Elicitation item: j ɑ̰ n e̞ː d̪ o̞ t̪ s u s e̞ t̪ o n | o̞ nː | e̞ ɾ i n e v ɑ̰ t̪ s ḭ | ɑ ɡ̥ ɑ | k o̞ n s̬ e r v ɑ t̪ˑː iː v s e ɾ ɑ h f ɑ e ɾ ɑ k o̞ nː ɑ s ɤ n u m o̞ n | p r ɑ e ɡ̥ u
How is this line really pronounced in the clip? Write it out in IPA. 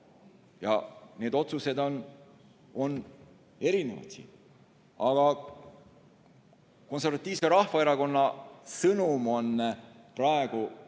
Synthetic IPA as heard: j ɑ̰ n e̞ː d̪ o̞ t̪ s u s e̞ d̪ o n | o̞ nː | e̞ ɾ i n e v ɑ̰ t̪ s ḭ | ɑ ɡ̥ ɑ | k o̞ n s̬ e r v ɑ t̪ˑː iː v s e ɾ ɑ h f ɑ e ɾ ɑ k o̞ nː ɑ s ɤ n u m o̞ n | p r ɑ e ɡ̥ u